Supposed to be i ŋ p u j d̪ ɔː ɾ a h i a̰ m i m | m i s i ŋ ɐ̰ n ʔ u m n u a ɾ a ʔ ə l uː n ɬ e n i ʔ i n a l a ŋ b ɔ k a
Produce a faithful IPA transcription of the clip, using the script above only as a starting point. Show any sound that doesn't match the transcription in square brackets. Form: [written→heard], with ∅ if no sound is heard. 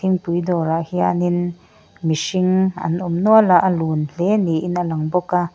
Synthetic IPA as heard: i ŋ p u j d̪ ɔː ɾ a h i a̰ [m→n] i [m→n] | m i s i ŋ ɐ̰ n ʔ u m n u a [ɾ→l] a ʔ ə l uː n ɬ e n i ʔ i n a l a ŋ b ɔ k a

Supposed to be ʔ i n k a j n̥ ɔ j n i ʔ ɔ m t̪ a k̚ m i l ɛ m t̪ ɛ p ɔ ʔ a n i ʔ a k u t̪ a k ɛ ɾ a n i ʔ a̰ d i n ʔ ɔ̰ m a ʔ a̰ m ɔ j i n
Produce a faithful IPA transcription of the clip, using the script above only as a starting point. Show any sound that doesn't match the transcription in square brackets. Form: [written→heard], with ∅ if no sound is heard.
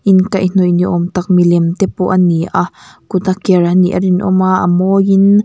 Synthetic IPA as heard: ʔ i n k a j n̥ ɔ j n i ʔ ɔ m t̪ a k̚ m i l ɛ m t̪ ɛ p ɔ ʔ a n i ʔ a k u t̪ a k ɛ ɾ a n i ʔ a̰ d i n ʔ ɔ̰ m a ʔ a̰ m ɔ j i n

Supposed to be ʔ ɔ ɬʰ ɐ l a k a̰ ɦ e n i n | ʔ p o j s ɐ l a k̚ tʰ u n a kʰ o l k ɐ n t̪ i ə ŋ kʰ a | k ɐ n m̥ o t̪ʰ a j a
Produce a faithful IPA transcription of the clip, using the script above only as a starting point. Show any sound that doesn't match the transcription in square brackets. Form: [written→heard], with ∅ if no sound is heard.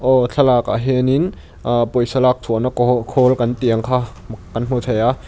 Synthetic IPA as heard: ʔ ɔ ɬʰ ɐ l a k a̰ ɦ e n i n | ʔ p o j s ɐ l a k̚ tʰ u n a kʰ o l k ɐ n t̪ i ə ŋ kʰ a | k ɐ n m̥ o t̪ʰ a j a

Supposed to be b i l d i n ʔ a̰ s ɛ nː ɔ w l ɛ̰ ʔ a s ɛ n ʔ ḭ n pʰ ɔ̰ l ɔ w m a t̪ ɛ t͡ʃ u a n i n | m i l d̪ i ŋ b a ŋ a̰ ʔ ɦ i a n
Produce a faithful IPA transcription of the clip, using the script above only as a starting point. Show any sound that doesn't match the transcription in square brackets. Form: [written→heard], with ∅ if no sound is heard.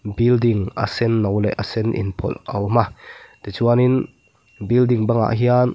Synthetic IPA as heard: b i l d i [n→ŋ] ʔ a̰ s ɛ nː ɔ w l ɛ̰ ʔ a s ɛ n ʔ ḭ n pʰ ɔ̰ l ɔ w m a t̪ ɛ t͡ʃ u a n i n | [m→b] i l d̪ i ŋ b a ŋ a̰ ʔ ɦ i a n

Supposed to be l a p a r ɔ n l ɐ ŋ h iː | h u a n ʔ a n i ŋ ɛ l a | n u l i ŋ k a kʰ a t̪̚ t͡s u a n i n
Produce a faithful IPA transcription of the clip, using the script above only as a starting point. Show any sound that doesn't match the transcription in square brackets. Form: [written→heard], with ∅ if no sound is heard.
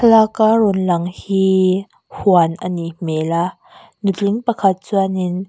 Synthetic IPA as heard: l a [p→k] a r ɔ n l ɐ ŋ h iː | h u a n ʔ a n i [ŋ→m] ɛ l a | n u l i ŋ [k→p] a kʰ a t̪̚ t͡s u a n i n

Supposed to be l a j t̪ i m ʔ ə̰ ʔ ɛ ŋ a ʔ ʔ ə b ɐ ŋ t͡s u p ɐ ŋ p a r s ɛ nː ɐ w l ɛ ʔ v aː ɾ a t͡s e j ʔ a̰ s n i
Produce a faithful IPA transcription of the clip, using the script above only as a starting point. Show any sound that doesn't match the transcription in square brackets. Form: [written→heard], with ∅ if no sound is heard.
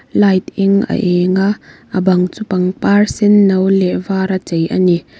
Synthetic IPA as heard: l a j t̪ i [m→ŋ] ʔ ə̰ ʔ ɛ ŋ a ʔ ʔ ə b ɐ ŋ t͡s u p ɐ ŋ p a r s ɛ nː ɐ w l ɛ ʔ v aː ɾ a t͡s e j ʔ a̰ [s→∅] n i

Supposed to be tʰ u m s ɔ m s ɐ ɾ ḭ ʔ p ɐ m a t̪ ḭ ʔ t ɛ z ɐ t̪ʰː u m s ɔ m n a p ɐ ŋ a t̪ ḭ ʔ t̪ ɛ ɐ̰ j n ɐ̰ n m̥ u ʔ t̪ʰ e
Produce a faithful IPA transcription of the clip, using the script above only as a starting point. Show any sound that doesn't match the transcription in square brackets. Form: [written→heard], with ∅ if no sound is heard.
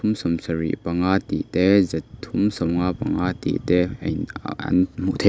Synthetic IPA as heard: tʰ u m s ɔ m s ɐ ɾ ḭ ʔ p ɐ [m→ŋ] a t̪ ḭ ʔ t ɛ z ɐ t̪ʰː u m s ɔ m [n→ŋ] a p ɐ ŋ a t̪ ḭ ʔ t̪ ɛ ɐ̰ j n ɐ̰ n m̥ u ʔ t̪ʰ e

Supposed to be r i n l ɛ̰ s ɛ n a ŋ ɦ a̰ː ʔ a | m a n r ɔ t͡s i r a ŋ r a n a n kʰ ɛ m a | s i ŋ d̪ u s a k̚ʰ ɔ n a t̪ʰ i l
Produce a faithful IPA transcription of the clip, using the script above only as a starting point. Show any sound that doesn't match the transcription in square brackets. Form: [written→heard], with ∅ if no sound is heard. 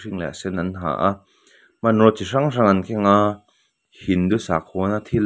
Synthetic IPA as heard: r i [n→ŋ] l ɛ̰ s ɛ n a [ŋ→n] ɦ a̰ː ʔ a | m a n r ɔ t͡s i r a ŋ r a [n→ŋ] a n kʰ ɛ [m→ŋ] a | [s→h] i [ŋ→n] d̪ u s a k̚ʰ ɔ n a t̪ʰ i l

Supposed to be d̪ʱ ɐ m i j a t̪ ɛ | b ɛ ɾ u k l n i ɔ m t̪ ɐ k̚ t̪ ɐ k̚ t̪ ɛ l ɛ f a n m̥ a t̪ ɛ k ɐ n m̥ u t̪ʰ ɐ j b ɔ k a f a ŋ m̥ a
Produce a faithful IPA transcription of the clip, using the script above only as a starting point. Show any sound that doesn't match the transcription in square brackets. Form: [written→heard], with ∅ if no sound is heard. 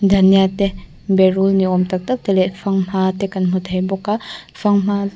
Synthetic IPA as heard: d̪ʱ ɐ [m→n] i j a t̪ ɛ | b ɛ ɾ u [k→∅] l n i ɔ m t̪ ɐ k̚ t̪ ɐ k̚ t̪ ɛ l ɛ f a [n→ŋ] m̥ a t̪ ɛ k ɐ n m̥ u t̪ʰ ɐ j b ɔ k a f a ŋ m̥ a

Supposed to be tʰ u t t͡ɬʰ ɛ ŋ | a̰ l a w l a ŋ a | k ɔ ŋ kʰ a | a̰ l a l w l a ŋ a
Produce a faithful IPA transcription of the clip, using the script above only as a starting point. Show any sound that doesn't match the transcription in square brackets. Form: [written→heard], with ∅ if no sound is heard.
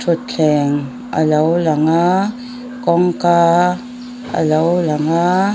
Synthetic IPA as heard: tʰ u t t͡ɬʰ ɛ ŋ | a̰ l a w l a ŋ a | k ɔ ŋ [kʰ→k] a | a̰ l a [l→∅] w l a ŋ a

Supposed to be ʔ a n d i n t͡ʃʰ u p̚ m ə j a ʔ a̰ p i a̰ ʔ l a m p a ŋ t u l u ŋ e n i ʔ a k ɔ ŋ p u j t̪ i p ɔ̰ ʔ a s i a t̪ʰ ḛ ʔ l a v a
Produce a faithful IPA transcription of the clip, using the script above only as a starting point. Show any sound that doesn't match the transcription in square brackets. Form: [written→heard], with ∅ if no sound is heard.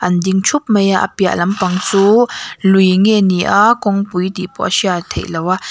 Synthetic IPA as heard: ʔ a n d i [n→ŋ] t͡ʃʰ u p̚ m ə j a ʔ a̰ p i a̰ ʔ l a m p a ŋ [t→t͡s] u l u ŋ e n i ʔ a k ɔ ŋ p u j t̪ i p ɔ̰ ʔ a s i a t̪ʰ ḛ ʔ l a [v→w] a

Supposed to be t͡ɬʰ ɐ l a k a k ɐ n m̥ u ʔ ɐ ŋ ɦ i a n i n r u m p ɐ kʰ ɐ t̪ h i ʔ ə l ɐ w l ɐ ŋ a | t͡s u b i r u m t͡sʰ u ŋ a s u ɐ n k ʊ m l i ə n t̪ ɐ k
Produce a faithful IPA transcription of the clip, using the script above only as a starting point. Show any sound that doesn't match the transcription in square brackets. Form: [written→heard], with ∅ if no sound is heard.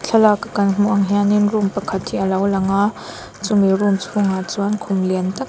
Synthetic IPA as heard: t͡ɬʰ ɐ l a k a k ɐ n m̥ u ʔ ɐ ŋ ɦ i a n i n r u m p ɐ kʰ ɐ t̪ h i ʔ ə l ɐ w l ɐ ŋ a | t͡s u [b→m] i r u m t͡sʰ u ŋ a [s→t͡s] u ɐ n [k→kʰ] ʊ m l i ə n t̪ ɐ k

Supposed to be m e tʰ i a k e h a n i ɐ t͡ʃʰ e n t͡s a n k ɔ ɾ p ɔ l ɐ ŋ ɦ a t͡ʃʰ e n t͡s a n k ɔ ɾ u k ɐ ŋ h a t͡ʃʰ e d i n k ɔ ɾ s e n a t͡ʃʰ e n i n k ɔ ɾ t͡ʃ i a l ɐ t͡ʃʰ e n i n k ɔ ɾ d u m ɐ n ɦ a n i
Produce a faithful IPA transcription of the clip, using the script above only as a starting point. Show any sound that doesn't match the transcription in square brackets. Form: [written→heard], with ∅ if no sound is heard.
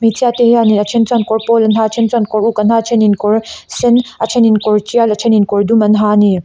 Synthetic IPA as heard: m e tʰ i a [k→t] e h a n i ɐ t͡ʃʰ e n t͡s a n k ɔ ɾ p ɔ l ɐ [ŋ→n] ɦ a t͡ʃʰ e n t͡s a n k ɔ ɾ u k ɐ [ŋ→n] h a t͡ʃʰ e [d→n] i n k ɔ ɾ s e n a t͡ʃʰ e n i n k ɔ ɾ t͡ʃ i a l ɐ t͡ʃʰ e n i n k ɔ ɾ d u m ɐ n ɦ a n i

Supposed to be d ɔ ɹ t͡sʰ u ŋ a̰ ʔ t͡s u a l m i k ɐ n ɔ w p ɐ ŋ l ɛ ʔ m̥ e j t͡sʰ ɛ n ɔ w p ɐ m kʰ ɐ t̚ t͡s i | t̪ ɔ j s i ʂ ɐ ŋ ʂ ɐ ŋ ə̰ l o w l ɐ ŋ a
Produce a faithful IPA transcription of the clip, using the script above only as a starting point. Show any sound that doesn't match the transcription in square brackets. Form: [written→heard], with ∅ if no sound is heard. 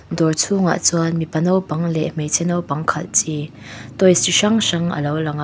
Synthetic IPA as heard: d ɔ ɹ t͡sʰ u ŋ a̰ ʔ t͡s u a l m i [k→p] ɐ n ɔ w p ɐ ŋ l ɛ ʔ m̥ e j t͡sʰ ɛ n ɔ w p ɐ [m→ŋ] kʰ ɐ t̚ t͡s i | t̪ ɔ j s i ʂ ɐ ŋ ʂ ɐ ŋ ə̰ l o w l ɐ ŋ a

